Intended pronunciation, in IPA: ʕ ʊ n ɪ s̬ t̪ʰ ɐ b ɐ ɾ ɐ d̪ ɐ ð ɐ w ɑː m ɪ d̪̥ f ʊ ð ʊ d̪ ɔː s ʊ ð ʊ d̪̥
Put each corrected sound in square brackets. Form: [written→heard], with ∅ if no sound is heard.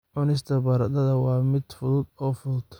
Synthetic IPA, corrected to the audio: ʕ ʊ n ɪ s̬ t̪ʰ ɐ b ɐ ɾ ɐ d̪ ɐ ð ɐ w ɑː m ɪ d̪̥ f ʊ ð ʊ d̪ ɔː [s→f] ʊ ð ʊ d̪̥